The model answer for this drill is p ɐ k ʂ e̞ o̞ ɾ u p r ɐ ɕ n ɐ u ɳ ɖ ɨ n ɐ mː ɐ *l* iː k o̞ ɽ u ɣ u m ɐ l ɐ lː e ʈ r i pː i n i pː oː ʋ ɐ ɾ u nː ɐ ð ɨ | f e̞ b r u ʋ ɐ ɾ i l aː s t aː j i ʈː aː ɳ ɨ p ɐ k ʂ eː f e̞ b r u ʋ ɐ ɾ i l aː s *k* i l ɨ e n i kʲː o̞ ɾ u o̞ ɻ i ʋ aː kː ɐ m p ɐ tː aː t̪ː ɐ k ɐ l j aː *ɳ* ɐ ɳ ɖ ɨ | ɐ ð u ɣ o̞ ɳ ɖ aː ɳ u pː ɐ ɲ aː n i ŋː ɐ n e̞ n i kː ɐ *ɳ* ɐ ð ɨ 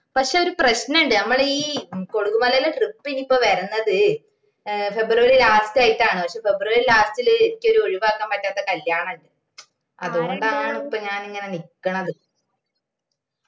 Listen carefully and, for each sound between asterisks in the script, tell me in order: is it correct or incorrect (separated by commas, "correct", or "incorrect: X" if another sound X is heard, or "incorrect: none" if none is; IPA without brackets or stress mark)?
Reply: incorrect: ɭ, incorrect: t, correct, correct